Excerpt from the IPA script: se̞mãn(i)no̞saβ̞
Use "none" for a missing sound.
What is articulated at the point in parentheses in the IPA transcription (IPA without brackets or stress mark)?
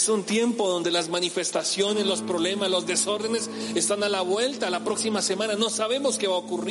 a